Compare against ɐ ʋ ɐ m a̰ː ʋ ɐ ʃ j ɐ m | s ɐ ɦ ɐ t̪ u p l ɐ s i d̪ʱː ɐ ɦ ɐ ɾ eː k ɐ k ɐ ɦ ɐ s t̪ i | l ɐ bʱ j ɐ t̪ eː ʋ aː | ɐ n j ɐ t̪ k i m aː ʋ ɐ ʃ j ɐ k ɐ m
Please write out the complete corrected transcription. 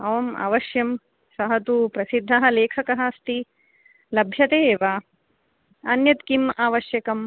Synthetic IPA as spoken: ɐ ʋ ɐ m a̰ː ʋ ɐ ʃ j ɐ m | s ɐ ɦ ɐ t̪ u p ɾ ɐ s i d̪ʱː ɐ ɦ ɐ l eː kʰ ɐ k ɐ ɦ ɐ s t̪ i | l ɐ bʱ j ɐ t̪ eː ʋ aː | ɐ n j ɐ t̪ k i m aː ʋ ɐ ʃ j ɐ k ɐ m